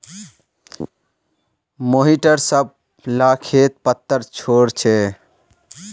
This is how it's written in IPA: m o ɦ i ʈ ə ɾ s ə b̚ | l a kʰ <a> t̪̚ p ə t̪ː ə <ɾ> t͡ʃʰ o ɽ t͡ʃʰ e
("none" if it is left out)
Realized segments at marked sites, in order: e, ɾ

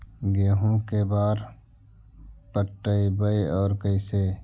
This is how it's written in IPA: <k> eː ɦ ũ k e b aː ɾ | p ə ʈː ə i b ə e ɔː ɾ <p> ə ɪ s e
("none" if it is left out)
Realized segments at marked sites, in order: ɡ, k

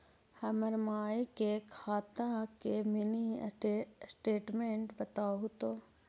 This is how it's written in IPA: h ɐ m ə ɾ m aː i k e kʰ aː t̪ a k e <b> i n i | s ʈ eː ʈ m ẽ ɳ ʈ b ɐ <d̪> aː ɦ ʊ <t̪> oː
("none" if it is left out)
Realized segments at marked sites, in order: m, t̪, t̪

